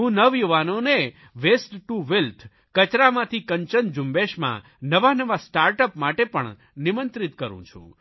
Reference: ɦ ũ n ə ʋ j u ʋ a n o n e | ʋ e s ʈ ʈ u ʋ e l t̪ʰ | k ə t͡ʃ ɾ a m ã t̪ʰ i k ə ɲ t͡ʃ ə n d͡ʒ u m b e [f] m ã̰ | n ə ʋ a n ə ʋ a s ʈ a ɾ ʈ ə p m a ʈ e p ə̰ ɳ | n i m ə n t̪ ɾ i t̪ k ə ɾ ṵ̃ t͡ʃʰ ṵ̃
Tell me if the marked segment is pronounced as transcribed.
no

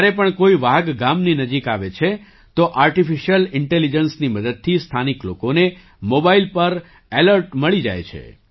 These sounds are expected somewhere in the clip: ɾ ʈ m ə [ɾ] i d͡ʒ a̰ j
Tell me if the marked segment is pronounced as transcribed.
no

